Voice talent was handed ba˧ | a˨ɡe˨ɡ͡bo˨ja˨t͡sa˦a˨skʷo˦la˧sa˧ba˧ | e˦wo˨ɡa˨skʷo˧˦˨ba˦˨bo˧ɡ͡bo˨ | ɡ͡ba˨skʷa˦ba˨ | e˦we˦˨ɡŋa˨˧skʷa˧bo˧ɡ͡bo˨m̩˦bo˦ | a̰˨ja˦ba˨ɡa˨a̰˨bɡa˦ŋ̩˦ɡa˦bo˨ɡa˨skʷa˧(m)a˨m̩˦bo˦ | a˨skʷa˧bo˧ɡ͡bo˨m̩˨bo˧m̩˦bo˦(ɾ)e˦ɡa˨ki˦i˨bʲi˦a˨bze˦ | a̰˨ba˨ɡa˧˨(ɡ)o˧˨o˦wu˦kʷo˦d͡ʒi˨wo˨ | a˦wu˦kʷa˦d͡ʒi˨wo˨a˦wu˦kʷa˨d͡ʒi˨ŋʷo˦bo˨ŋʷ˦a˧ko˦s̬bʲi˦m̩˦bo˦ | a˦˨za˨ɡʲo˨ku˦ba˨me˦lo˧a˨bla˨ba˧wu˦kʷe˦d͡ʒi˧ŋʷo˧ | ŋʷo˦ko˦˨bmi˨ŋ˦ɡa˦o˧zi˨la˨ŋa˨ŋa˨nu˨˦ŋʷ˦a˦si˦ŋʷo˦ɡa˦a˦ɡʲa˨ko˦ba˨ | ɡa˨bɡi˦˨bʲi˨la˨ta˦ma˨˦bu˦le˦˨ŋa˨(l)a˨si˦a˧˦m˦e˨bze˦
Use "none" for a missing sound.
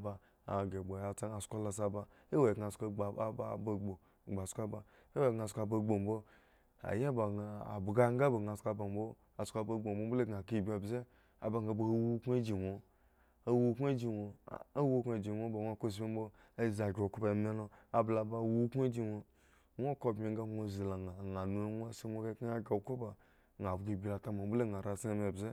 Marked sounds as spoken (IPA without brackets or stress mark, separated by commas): b, l, b, ɾ